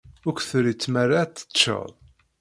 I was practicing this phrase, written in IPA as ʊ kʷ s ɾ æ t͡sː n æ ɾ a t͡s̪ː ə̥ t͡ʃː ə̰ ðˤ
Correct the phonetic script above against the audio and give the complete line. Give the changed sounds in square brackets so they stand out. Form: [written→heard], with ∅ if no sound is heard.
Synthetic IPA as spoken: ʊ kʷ [s→θ] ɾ [æ→i] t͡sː [n→m] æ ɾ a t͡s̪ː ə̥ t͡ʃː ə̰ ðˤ